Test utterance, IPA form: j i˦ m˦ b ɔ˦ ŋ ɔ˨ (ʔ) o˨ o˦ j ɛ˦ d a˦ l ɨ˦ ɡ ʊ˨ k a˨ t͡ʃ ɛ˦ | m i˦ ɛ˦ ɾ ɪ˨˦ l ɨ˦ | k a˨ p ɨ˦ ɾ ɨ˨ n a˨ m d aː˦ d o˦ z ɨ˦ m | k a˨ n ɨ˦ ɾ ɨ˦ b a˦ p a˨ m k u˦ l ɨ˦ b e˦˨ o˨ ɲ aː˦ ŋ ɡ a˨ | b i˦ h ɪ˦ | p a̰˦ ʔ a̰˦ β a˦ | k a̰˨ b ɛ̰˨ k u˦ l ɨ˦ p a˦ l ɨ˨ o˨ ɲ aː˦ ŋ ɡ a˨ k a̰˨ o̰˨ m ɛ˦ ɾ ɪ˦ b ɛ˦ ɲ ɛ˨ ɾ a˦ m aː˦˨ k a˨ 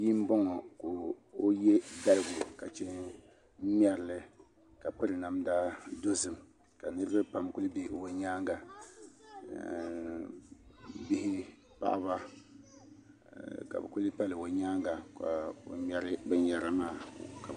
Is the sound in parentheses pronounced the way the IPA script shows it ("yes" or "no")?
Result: no